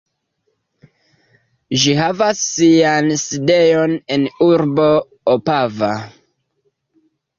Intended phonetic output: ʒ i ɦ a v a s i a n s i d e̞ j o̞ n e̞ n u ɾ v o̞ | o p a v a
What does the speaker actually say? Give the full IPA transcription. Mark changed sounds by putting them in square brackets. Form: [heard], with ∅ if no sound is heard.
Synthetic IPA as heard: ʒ i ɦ a v a [sː] i a n s i d e̞ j o̞ n e̞ n u ɾ [b] o̞ | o p a v a

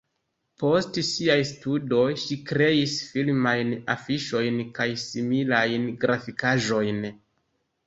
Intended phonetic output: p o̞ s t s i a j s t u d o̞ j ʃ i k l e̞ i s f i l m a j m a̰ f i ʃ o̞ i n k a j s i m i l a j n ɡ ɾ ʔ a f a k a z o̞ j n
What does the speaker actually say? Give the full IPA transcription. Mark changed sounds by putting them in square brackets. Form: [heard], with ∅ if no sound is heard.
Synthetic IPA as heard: p o̞ s t s i a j s t u d o̞ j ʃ i k [ɾ] e̞ i s f i l m a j [n] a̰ f i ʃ o̞ [j] n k a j s i m i l a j n ɡ ɾ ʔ a f [i] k a [ʒ] o̞ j n

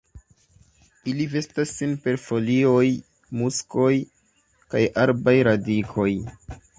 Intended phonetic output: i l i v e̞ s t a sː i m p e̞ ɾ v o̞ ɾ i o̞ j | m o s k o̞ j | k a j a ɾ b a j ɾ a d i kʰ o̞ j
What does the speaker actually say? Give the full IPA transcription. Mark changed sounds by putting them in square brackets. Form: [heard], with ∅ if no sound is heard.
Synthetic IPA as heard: i l i v e̞ s t a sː i [n] p e̞ ɾ [f] o̞ [l] i o̞ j | m [u] s k o̞ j | k a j a ɾ b a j ɾ a d i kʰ o̞ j

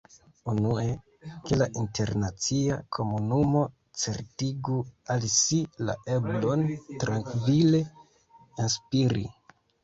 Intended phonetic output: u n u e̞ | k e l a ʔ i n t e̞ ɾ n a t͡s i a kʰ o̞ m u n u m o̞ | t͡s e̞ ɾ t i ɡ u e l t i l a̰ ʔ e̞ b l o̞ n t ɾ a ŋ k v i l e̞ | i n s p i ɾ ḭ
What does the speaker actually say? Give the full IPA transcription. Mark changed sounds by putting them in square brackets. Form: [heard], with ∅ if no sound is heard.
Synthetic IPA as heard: u n u e̞ | k e l a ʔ i n t e̞ ɾ n a t͡s i a kʰ o̞ m u n u m o̞ | t͡s e̞ ɾ t i ɡ u [a] l [s] i l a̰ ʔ e̞ b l o̞ n t ɾ a ŋ k v i l e̞ | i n s p i ɾ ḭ

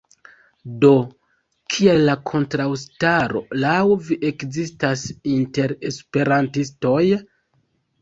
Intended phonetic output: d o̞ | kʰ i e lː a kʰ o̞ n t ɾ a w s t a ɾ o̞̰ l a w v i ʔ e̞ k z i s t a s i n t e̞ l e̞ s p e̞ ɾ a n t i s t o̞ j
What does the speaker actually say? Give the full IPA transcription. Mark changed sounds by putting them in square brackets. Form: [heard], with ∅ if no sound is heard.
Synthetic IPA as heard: d o̞ | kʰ i e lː a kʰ o̞ n t ɾ a w s t a ɾ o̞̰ l a w v i ʔ e̞ k z i s t a s i n t e̞ [ɾ] e̞ s p e̞ ɾ a n t i s t o̞ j

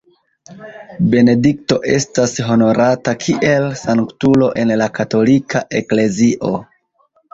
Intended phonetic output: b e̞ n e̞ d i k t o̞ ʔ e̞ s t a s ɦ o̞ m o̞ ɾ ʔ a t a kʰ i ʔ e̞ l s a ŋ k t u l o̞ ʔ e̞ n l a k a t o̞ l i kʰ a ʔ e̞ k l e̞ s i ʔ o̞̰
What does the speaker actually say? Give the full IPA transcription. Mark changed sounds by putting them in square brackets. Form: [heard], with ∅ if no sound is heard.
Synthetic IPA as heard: b e̞ n e̞ d i k t o̞ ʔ e̞ s t a s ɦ o̞ [n] o̞ ɾ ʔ a t a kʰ i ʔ e̞ l s a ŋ k t u l o̞ ʔ e̞ n l a k a t o̞ l i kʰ a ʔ e̞ k l e̞ [z] i ʔ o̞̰

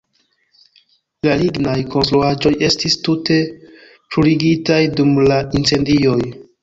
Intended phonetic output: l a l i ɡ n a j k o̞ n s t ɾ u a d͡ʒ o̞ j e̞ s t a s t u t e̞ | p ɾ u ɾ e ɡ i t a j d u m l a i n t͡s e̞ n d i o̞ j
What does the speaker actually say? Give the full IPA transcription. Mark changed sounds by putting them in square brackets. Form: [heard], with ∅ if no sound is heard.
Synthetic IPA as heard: l a l i ɡ n a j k o̞ n s t ɾ u a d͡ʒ o̞ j e̞ s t [i] s t u t e̞ | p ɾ u ɾ [i] ɡ i t a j d u m l a i n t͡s e̞ n d i o̞ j

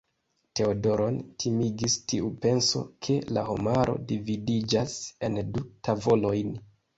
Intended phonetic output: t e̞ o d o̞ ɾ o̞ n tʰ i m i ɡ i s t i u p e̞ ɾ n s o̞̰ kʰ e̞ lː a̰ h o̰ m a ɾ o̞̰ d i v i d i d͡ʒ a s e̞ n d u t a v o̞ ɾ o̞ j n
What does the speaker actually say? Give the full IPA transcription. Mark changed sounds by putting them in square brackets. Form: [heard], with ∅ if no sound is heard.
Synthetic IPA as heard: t e̞ o d o̞ ɾ o̞ n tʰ i m i ɡ i s t i u p e̞ [∅] n s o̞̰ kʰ e̞ [l] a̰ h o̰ m a ɾ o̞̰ d i v i d i d͡ʒ a s e̞ n d u t a v o̞ [l] o̞ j n

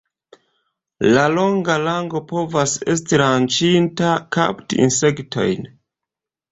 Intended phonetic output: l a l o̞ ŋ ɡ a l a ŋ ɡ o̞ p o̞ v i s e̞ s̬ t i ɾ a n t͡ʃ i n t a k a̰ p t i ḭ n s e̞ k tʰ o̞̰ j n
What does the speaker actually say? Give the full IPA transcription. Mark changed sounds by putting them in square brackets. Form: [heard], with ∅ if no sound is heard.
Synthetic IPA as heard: l a l o̞ ŋ ɡ a l a ŋ ɡ o̞ p o̞ v [a] s e̞ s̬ t i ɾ a n t͡ʃ i n t a k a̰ p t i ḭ n s e̞ k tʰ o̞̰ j n

